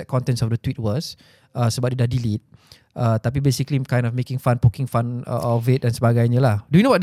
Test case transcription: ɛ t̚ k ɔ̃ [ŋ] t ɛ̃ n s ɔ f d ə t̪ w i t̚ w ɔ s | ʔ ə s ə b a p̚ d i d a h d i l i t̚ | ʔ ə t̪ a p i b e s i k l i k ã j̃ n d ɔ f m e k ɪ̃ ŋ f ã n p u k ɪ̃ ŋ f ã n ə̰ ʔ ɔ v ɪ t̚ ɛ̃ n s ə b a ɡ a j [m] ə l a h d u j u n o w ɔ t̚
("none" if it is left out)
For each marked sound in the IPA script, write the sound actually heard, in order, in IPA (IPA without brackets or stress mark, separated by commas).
n, ɲ